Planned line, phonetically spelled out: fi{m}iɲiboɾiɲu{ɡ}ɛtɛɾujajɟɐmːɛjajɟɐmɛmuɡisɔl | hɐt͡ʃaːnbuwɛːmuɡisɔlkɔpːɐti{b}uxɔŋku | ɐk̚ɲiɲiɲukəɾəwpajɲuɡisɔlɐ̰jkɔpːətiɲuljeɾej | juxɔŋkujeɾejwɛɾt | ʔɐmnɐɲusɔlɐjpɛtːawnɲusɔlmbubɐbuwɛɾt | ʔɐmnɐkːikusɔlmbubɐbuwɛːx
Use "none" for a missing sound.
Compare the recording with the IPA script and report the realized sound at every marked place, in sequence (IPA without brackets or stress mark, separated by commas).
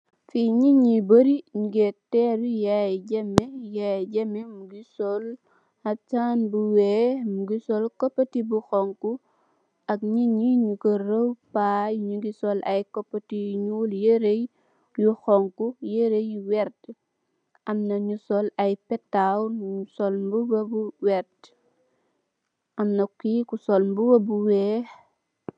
ɲ, ɡ, b